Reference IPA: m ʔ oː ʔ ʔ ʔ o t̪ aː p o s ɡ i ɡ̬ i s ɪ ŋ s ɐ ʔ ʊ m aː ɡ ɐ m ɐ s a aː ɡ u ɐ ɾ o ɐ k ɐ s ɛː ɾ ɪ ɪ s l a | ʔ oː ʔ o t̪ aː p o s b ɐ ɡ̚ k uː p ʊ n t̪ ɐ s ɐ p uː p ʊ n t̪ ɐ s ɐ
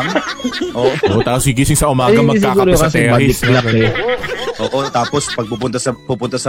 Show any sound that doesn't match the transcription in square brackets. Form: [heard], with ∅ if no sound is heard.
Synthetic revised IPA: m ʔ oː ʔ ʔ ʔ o t̪ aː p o s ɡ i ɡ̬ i s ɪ ŋ s ɐ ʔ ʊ m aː ɡ ɐ m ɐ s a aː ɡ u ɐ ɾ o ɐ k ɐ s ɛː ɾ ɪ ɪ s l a | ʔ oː ʔ o t̪ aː p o s [p] ɐ ɡ̚ [p] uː p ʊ n t̪ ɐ s ɐ p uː p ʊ n t̪ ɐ s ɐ